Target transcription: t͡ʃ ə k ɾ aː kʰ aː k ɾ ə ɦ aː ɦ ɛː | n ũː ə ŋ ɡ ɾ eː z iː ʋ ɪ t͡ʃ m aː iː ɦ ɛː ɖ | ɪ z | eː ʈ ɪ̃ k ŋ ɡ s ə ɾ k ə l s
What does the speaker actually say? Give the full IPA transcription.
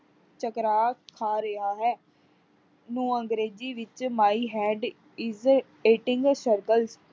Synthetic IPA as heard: t͡ʃ ə k ɾ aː kʰ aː ɾ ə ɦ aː ɦ ɛː | n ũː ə ŋ ɡ ɾ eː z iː ʋ ɪ t͡ʃ m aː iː ɦ ɛː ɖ | ɪ z | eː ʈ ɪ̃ ŋ ɡ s ə ɾ k ə l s